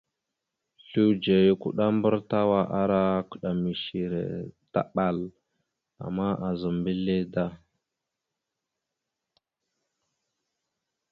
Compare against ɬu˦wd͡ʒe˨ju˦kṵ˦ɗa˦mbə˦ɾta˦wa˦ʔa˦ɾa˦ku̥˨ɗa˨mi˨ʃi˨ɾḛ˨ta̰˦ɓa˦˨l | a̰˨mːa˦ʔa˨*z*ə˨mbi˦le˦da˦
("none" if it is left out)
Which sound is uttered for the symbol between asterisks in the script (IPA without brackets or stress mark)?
z